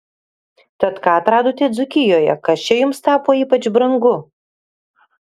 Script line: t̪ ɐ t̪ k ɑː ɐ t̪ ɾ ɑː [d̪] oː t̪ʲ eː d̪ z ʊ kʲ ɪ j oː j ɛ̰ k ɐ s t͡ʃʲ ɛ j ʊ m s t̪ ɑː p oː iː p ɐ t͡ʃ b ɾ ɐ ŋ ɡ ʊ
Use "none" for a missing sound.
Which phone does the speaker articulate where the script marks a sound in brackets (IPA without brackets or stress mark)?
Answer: d̪